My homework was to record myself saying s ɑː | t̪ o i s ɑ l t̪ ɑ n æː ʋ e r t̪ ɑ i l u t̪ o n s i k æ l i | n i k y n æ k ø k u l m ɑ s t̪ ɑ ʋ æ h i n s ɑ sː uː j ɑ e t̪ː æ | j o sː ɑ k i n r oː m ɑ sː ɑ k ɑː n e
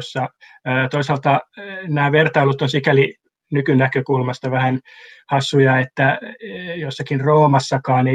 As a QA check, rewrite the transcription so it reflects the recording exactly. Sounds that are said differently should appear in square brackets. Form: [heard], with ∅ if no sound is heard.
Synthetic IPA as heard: [sː] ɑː | t̪ o i s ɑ l t̪ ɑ n æː ʋ e r t̪ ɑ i l u t̪ o n s i k æ l i | n [y] k y n æ k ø k u l m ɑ s t̪ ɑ ʋ æ h [æ] n [h] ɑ sː [u] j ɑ e t̪ː æ | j o sː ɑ k i n r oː m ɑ sː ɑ k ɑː n e